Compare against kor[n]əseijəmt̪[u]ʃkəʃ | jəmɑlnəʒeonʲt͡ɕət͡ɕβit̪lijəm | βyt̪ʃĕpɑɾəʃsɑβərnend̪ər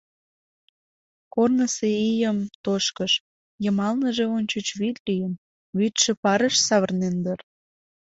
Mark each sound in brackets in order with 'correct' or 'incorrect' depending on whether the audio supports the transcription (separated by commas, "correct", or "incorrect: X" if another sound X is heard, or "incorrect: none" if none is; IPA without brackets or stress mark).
correct, incorrect: o